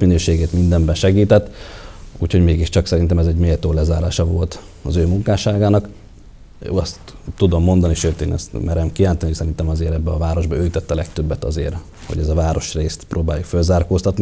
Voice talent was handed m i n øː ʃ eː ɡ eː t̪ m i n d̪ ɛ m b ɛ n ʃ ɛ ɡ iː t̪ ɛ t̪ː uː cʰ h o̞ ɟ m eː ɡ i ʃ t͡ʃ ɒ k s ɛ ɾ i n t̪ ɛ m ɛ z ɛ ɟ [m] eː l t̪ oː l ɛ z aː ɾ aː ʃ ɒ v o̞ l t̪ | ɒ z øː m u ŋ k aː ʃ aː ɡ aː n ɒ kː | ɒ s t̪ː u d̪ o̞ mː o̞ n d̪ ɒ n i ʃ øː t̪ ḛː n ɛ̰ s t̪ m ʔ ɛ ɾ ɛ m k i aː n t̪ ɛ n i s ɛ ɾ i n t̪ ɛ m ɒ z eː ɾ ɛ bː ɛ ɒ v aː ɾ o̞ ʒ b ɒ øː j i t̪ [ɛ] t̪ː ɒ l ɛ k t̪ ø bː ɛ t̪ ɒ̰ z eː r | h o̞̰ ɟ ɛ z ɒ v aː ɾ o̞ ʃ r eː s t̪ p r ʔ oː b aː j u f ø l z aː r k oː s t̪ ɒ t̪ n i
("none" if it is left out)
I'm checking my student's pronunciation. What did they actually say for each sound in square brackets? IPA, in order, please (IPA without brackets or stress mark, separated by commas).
m, ɛ